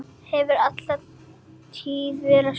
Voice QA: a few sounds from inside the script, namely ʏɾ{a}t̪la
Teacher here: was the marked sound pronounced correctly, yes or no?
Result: yes